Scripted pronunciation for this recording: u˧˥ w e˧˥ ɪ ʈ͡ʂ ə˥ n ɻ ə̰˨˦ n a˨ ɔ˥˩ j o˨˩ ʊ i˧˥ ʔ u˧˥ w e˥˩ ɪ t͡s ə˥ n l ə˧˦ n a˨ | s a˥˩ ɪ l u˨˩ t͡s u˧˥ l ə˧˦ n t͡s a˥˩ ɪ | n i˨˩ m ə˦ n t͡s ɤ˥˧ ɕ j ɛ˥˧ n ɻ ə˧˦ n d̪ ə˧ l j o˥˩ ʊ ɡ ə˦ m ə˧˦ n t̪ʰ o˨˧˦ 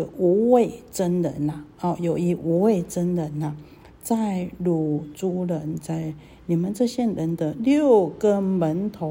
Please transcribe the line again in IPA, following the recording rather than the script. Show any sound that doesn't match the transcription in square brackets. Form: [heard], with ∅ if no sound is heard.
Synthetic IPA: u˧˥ w [e˥˩] ɪ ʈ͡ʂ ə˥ n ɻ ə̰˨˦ n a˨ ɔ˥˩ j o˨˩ ʊ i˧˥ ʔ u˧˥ w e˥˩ ɪ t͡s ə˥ n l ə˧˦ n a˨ | [t͡s] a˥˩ ɪ l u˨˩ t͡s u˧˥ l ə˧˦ n t͡s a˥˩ ɪ | n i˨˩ m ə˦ n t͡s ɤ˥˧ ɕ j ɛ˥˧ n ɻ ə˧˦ n d̪ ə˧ l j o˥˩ ʊ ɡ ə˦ m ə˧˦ n t̪ʰ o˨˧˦